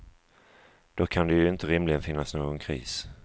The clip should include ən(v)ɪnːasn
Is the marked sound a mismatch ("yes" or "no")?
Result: yes